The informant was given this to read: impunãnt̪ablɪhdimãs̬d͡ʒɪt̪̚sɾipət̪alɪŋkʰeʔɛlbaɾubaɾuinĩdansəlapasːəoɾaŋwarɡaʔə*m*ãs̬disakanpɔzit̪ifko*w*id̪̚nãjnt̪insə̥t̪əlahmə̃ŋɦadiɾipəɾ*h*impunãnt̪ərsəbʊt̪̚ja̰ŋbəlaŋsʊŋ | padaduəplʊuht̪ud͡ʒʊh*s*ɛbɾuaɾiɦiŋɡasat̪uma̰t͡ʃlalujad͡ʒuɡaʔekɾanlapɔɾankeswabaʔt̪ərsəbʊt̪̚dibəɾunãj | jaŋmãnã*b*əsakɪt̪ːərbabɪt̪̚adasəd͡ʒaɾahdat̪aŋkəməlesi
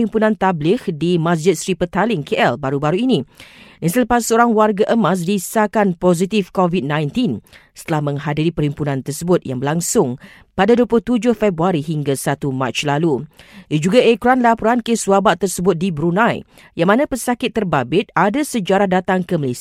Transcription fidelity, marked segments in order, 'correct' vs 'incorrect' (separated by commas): correct, incorrect, correct, incorrect, incorrect